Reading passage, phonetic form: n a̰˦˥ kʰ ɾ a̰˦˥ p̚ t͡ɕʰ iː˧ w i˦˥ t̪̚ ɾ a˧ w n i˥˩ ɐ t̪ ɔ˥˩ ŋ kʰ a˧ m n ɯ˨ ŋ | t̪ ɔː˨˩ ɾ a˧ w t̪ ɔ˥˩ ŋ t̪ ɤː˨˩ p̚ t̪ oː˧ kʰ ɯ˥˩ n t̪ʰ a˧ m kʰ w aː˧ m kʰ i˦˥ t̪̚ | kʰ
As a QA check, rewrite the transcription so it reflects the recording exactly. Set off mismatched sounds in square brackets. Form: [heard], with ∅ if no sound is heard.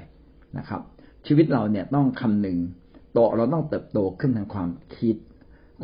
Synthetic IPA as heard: n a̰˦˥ kʰ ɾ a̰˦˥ p̚ t͡ɕʰ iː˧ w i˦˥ t̪̚ ɾ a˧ w n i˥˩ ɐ t̪ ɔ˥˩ ŋ kʰ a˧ m n ɯ˨ ŋ | t̪ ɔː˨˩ ɾ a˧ w t̪ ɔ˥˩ ŋ t̪ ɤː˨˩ p̚ t̪ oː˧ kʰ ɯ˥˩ n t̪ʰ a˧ [ŋ] kʰ w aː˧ m kʰ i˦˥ t̪̚ | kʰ